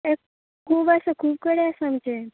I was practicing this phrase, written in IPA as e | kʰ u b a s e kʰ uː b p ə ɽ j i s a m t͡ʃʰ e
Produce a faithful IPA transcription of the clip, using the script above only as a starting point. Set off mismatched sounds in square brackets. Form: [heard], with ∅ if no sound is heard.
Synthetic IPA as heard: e | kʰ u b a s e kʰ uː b [k] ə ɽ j [a] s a m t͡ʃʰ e